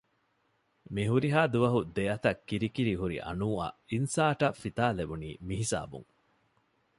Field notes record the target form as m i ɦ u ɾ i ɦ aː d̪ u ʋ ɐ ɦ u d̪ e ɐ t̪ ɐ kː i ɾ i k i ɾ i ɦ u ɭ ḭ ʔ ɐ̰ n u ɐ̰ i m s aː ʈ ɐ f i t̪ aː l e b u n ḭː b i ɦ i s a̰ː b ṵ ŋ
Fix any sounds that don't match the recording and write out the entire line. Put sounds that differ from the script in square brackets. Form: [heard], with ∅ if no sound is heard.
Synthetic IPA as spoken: m i ɦ u ɾ i ɦ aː d̪ u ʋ ɐ ɦ u d̪ e ɐ t̪ ɐ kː i ɾ i k i ɾ i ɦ u [ɾ] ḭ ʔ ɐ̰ n [uː] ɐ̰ i [n] s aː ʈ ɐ f i t̪ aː l e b u n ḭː [m] i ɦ i s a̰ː b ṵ ŋ